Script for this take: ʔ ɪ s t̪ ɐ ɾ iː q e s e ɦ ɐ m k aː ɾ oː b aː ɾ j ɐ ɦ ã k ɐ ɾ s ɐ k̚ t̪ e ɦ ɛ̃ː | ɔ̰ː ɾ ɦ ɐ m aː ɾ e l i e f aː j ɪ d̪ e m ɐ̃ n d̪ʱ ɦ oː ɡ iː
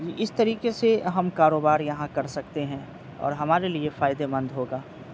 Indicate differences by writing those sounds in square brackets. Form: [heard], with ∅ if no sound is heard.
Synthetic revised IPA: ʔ ɪ s t̪ ɐ ɾ iː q e s e ɦ ɐ m k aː ɾ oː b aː ɾ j ɐ ɦ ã k ɐ ɾ s ɐ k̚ t̪ e ɦ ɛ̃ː | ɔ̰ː ɾ ɦ ɐ m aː ɾ e l i e f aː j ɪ d̪ e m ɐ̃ n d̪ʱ ɦ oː ɡ [aː]